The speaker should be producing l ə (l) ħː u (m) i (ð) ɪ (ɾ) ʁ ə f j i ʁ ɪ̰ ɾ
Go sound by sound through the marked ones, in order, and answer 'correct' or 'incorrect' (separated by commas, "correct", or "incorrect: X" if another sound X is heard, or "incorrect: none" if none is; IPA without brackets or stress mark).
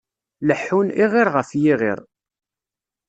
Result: incorrect: none, incorrect: n, incorrect: ʁ, correct